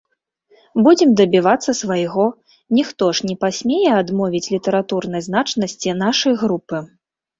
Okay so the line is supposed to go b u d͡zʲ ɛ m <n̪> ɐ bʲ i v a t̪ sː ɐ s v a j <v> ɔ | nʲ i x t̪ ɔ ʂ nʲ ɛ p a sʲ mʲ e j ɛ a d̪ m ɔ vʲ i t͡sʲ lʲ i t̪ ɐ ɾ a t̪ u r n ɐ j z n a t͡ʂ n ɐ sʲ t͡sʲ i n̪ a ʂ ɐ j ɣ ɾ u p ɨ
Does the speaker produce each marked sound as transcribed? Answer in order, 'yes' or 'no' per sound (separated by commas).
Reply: no, no